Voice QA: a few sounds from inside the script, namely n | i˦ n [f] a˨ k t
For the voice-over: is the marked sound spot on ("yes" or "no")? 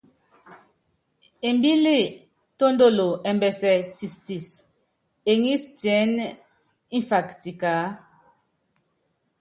yes